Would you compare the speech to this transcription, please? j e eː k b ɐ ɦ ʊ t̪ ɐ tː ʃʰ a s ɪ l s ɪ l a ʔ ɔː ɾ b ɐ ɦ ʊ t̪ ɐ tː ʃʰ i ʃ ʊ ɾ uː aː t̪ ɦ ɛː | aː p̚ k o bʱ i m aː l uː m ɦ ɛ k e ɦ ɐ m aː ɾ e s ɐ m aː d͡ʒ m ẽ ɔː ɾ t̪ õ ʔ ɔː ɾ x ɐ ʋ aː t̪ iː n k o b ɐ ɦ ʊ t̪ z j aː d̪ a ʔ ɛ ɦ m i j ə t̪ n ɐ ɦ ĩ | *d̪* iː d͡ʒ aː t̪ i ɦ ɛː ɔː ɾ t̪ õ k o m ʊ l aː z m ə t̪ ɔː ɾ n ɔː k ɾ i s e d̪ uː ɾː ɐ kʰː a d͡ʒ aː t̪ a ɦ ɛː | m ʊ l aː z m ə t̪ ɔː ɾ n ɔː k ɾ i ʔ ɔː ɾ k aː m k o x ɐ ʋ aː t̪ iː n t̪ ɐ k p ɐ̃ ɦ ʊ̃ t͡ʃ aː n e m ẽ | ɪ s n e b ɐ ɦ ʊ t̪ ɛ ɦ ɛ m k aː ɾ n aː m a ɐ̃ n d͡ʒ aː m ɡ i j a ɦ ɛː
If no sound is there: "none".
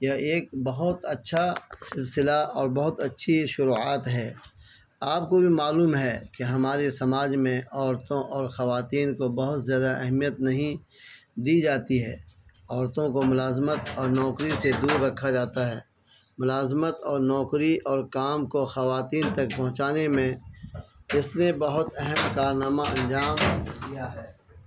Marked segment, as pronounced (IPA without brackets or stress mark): d̪